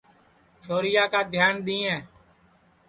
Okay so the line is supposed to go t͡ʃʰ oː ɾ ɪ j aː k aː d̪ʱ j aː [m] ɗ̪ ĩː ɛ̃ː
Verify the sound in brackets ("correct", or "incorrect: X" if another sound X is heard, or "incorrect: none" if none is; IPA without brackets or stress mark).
incorrect: n